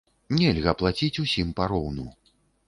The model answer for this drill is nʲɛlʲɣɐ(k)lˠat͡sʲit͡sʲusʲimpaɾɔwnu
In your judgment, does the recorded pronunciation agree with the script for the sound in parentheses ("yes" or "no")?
no